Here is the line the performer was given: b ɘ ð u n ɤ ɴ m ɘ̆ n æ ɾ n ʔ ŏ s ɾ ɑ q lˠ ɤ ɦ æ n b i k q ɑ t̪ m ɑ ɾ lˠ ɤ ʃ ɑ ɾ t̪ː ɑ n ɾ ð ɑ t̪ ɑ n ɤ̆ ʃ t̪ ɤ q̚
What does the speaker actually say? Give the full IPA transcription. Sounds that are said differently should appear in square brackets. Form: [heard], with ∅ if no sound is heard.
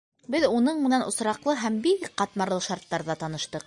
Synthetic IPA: b ɘ ð u n ɤ ɴ m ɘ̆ n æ [∅] n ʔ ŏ s ɾ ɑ q lˠ ɤ ɦ æ [m] b i k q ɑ t̪ m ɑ ɾ lˠ ɤ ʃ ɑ ɾ t̪ː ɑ [∅] ɾ ð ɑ t̪ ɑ n ɤ̆ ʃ t̪ ɤ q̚